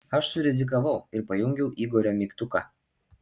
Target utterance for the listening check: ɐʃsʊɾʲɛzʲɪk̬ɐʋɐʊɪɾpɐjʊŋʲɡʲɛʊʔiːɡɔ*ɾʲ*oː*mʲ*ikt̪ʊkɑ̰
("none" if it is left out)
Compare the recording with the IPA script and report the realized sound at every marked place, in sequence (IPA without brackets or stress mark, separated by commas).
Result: ɾʲ, mʲ